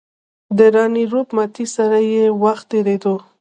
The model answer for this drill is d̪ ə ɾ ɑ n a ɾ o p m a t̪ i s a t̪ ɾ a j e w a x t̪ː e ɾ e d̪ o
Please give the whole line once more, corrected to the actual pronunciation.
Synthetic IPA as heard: d̪ ə ɾ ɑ n i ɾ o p m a t̪ i s a ɾ a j e w a x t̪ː e ɾ e d̪ o